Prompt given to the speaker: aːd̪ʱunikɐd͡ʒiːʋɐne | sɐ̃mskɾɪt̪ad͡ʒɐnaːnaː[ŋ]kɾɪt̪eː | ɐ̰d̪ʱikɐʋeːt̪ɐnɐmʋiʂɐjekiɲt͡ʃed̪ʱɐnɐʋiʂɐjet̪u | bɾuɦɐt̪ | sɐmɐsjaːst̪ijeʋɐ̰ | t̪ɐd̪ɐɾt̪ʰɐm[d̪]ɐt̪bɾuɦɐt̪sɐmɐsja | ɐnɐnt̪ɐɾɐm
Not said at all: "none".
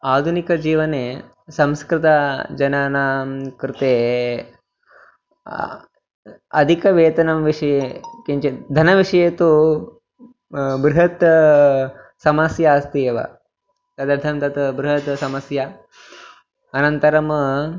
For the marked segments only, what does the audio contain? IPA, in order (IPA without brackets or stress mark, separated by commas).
m, t̪